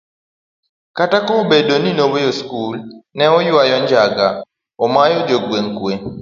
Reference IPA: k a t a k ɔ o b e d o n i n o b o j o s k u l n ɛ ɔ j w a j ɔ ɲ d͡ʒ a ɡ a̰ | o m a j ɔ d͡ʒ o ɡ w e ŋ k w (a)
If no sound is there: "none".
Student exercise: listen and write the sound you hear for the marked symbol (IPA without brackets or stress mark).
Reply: e